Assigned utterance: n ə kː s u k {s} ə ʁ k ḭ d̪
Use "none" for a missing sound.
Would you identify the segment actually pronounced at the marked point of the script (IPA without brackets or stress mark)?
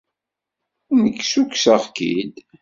s